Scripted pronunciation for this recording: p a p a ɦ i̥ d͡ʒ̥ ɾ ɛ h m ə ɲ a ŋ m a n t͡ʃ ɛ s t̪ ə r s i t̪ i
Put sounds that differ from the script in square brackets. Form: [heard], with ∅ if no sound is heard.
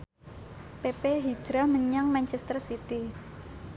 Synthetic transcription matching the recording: p [e] p [e] ɦ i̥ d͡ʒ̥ ɾ [a] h m ə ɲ a ŋ m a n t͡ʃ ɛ s t̪ ə r s i t̪ i